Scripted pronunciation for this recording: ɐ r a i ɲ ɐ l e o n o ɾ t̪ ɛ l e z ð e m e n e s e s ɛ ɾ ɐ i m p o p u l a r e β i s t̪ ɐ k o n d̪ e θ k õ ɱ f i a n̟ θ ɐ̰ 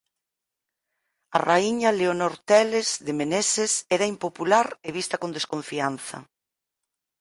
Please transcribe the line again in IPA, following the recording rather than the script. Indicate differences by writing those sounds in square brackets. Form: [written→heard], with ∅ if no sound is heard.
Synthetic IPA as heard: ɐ r a i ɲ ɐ l e o n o ɾ t̪ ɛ l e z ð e m e n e s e s ɛ ɾ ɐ i m p o p u l a [r→ɾ] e β i s t̪ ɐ k o n d̪ e [θ→s] k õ ɱ f i a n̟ θ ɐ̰